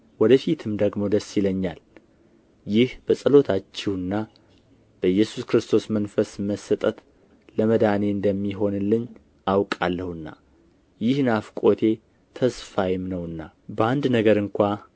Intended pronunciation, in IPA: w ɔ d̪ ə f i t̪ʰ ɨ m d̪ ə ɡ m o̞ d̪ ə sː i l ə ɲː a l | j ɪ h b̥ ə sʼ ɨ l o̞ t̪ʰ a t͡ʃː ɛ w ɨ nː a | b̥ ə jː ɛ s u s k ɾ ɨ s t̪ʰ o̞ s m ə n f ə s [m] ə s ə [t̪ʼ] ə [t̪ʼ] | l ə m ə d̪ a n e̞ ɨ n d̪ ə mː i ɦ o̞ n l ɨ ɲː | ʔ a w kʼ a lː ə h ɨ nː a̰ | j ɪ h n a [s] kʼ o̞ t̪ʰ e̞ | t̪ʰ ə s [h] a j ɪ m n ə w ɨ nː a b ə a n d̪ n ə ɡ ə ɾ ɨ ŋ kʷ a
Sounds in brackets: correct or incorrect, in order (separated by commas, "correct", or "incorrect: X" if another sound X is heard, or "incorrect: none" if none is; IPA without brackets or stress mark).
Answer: correct, correct, incorrect: t̪, incorrect: f, incorrect: f